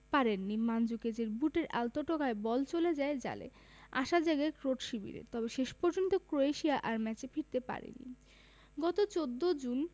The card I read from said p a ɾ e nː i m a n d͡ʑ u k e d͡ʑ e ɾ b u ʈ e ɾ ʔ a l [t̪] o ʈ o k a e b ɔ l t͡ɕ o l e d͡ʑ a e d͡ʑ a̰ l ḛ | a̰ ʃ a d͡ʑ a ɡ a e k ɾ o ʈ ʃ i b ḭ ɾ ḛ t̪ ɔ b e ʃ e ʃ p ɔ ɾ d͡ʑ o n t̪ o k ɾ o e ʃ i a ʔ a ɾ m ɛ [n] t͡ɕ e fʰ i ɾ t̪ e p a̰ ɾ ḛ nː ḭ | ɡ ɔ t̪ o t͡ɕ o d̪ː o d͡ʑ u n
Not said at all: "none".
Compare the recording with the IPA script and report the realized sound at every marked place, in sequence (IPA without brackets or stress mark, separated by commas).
t̪, none